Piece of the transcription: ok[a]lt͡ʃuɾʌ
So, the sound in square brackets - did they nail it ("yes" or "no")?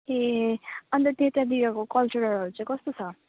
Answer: no